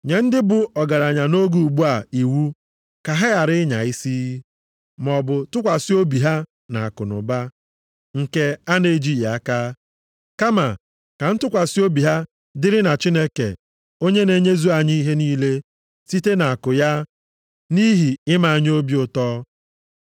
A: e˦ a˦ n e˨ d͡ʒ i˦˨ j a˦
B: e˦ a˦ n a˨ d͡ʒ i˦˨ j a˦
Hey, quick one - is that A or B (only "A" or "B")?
A